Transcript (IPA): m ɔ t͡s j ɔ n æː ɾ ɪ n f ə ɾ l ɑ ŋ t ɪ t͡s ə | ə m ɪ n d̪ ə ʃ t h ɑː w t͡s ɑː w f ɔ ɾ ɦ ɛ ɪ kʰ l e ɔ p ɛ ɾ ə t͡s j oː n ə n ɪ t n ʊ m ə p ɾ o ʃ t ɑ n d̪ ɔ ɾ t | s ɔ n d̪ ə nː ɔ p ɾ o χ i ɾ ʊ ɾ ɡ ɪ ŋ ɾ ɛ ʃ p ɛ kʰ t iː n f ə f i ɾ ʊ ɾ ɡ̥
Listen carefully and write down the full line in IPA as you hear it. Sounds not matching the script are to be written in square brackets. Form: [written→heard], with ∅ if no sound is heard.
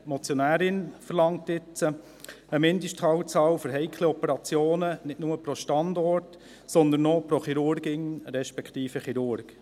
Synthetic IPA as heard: m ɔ t͡s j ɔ n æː ɾ ɪ n f ə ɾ l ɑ ŋ t ɪ t͡s ə | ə m ɪ n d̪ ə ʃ t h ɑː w t͡s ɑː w f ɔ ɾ ɦ ɛ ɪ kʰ l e ɔ p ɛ ɾ [ə→ɑ] t͡s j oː n ə n ɪ t n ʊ m ə p ɾ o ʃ t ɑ n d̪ ɔ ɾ t | s ɔ n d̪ ə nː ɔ p ɾ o χ i ɾ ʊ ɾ ɡ ɪ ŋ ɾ ɛ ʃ p ɛ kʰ t iː [n→∅] f ə [f→χ] i ɾ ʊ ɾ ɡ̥